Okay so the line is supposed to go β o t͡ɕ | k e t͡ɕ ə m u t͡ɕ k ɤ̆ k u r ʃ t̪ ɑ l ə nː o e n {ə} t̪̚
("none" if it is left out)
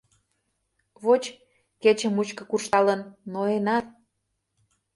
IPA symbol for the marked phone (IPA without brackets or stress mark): ɑ